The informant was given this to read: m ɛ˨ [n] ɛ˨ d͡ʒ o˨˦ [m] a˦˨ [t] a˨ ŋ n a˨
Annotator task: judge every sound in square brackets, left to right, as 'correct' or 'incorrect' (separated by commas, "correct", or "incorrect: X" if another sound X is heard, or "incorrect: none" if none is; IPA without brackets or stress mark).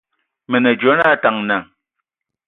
correct, incorrect: n, correct